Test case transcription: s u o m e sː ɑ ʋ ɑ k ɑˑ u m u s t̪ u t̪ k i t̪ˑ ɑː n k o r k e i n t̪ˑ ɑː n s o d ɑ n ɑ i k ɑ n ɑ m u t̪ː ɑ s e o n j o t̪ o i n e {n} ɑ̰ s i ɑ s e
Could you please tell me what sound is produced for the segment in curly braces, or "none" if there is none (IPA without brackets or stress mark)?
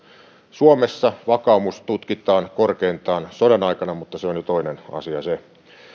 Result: n